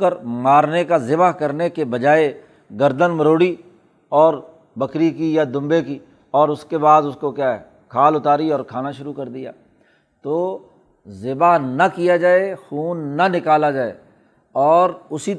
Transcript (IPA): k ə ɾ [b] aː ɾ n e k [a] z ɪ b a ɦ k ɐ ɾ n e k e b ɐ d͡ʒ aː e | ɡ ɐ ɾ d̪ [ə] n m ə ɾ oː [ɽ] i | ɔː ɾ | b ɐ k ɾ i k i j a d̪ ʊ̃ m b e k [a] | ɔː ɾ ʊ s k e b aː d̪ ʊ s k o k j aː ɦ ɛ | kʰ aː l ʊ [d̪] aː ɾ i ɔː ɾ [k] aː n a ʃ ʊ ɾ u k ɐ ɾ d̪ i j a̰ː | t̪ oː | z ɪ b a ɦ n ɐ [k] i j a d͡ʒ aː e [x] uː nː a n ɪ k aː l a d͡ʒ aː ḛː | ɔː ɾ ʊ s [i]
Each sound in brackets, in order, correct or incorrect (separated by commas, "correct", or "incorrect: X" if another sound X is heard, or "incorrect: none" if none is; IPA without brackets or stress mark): incorrect: m, correct, correct, correct, incorrect: i, incorrect: t̪, incorrect: kʰ, correct, correct, correct